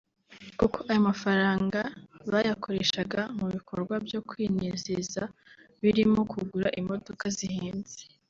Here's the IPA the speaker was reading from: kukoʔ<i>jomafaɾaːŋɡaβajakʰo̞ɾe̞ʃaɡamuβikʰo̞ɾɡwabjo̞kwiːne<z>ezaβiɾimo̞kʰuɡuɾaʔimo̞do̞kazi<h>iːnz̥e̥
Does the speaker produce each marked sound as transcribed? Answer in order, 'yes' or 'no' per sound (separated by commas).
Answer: no, yes, yes